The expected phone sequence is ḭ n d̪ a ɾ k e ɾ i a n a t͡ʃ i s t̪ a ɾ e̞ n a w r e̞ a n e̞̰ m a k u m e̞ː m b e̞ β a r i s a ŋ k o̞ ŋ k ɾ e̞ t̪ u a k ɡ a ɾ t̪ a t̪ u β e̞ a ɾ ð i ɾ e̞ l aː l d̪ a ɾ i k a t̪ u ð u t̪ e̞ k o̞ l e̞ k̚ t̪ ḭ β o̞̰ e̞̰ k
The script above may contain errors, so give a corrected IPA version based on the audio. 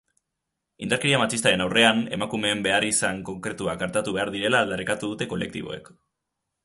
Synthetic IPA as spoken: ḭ n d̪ a ɾ k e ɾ i a m a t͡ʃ i s t̪ a ɾ e̞ n a w r e̞ a n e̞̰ m a k u m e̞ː m b e̞ a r i s a ŋ k o̞ ŋ k ɾ e̞ t̪ u a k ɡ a ɾ t̪ a t̪ u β e̞ a ɾ ð i ɾ e̞ l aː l d̪ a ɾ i k a t̪ u ð u t̪ e̞ k o̞ l e̞ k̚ t̪ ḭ β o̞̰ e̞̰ k